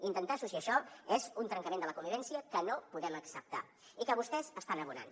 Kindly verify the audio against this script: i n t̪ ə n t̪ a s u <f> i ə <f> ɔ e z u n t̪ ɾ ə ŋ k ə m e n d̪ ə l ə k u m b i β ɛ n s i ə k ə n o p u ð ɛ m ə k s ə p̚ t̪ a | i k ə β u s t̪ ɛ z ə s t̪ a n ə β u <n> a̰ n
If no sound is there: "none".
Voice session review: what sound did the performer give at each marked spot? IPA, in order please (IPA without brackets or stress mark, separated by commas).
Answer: s, ʃ, n